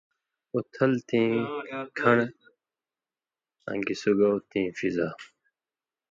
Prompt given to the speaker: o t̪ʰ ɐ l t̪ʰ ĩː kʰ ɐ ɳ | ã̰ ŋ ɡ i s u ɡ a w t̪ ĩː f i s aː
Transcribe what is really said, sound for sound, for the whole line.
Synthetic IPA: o t̪ʰ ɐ l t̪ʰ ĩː kʰ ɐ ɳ | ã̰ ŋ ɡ i s u ɡ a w t̪ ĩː f i z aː